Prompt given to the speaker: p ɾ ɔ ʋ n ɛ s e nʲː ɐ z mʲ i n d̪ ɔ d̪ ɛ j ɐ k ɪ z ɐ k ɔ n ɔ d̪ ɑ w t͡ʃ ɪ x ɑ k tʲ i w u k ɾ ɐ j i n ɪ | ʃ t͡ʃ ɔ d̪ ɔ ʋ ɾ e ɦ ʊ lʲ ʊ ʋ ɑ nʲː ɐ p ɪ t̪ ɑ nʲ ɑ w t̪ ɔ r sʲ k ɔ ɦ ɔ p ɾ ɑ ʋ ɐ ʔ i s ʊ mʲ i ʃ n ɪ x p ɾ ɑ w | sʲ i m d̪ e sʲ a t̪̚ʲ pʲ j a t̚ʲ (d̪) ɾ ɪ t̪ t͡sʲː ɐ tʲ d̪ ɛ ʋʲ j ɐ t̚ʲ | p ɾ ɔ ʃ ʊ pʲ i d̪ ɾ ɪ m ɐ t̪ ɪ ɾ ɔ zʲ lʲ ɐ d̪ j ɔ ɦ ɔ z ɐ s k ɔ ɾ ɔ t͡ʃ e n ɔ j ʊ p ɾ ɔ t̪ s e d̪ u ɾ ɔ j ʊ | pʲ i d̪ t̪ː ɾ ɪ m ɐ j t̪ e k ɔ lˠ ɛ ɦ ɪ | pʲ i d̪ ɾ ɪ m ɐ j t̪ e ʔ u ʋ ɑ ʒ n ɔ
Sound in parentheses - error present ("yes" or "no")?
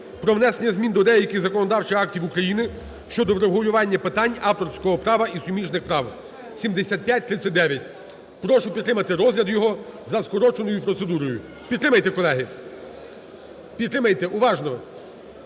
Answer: yes